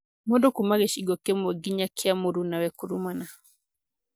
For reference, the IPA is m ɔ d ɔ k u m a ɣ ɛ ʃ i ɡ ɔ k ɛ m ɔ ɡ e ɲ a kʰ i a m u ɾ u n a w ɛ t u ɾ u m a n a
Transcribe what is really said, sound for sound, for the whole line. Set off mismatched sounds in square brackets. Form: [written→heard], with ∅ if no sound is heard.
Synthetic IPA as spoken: m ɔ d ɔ k u m a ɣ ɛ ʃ i ɡ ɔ k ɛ m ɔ ɡ [e→i] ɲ a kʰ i a m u ɾ u n a w ɛ [t→k] u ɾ u m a n a